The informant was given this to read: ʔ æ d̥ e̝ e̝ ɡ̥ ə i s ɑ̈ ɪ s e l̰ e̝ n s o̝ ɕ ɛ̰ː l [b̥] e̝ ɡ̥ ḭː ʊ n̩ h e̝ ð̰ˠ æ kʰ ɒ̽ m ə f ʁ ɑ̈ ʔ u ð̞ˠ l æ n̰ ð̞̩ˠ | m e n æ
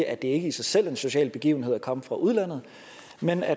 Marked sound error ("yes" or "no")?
no